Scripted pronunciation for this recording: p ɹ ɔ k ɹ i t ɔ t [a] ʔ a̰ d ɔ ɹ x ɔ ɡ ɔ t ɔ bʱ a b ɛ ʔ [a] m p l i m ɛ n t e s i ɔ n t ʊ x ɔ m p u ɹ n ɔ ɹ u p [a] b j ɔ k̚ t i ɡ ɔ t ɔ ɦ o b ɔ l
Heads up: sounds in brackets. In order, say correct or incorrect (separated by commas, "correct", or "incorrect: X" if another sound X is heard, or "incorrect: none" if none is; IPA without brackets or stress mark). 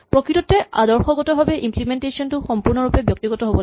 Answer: incorrect: ɛ, incorrect: i, incorrect: ɛ